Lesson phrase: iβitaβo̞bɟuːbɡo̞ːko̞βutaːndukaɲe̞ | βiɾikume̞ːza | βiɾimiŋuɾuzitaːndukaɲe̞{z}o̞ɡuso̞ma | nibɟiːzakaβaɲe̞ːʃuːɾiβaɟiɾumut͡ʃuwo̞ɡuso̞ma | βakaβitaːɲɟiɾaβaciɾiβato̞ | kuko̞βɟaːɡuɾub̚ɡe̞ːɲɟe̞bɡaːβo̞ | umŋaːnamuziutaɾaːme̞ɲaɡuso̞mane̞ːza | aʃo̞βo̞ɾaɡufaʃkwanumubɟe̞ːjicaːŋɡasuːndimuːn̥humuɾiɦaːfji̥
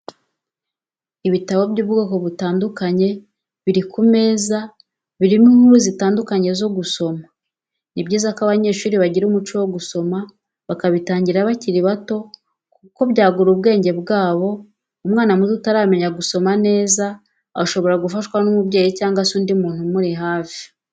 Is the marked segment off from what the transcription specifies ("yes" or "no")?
no